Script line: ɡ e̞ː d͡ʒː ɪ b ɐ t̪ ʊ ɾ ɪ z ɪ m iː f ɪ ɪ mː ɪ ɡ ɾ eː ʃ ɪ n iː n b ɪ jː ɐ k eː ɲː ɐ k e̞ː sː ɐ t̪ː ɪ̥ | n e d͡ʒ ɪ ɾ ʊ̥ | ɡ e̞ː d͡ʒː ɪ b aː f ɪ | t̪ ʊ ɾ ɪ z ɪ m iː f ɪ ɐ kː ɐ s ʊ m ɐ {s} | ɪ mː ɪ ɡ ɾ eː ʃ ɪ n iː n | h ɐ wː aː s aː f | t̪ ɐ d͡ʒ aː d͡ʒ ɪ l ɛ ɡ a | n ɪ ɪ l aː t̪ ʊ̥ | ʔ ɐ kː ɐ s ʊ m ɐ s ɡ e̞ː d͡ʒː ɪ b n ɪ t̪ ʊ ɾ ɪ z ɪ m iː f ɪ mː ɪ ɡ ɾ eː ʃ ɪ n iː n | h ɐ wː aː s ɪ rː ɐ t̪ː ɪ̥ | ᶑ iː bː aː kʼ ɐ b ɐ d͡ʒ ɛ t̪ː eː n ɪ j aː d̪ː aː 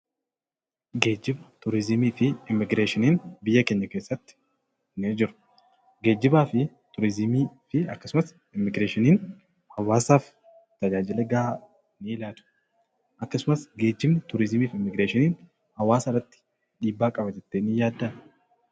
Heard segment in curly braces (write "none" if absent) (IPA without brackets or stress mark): s